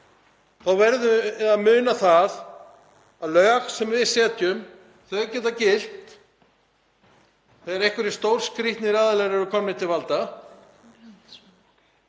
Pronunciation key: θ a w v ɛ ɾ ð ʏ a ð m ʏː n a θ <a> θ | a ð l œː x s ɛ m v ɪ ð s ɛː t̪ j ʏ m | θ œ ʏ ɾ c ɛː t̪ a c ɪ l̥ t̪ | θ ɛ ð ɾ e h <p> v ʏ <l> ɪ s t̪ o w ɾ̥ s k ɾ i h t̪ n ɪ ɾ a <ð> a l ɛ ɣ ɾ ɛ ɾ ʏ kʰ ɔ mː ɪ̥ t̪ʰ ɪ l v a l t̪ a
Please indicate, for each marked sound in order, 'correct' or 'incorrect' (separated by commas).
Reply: correct, incorrect, incorrect, correct